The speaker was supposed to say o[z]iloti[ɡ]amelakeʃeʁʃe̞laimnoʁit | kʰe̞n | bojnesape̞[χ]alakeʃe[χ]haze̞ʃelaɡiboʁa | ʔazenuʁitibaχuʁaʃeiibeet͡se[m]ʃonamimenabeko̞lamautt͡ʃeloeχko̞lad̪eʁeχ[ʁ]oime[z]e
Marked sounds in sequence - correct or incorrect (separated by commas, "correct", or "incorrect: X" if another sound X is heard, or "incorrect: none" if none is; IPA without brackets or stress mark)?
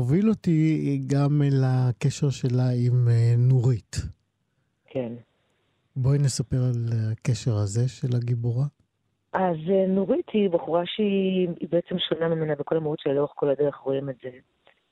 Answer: incorrect: v, correct, incorrect: ʁ, incorrect: ʁ, correct, correct, correct